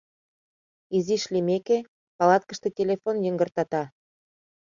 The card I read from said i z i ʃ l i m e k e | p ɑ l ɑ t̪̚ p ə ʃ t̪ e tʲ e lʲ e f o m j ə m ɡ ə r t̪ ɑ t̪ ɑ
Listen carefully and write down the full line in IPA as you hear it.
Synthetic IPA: i z i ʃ l i m e k e | p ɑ l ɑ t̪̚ k ə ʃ t̪ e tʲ e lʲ e f o n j ə ŋ ɡ ə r t̪ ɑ t̪ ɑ